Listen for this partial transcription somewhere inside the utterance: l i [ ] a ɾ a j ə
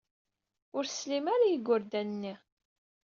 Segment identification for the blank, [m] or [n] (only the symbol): m